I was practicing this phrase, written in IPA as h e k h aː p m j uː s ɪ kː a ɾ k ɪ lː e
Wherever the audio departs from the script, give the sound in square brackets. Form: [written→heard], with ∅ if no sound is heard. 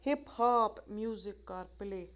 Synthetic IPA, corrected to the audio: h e [k→p] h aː p m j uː [s→z] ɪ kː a ɾ [k→p] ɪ [lː→l] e